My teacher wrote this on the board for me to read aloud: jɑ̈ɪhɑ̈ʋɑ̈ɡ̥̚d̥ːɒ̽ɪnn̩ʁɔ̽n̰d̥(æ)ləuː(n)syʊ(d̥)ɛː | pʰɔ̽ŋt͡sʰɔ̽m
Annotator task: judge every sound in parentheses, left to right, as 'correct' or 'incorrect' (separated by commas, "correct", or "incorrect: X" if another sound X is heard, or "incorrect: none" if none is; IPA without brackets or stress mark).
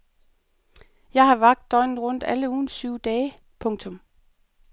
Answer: correct, correct, correct